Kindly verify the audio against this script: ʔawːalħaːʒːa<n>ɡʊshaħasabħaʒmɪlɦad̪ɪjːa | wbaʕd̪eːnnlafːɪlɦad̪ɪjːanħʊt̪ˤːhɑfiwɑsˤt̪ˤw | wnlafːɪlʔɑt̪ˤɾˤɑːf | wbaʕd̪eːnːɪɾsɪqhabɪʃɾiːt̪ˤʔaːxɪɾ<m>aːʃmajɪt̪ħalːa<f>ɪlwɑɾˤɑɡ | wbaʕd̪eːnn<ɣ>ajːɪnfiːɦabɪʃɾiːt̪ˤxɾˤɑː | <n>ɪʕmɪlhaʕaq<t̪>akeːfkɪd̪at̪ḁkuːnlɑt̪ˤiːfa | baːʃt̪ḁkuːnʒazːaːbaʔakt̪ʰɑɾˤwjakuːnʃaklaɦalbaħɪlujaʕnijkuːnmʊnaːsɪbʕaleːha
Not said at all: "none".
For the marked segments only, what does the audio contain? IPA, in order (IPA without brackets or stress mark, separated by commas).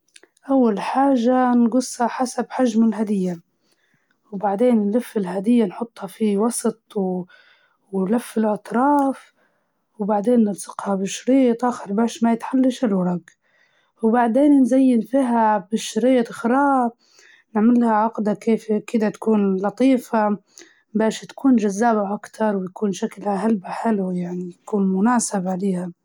n, b, ʃ, z, n, d̪